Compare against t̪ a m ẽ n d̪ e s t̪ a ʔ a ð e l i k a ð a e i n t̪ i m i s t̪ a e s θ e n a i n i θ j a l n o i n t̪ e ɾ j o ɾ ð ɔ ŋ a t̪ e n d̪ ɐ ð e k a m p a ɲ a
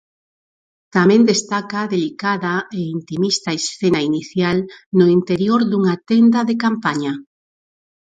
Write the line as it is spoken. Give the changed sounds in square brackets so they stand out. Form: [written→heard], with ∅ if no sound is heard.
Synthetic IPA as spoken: t̪ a m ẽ n d̪ e s t̪ a [ʔ→k] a ð e l i k a ð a e i n t̪ i m i s t̪ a e s θ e n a i n i θ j a l n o i n t̪ e ɾ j o ɾ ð [ɔ→u] ŋ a t̪ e n d̪ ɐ ð e k a m p a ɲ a